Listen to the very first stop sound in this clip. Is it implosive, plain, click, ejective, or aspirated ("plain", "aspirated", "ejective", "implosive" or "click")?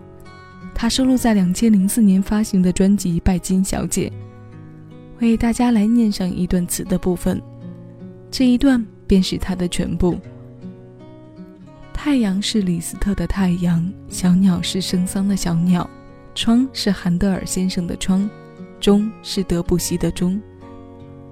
aspirated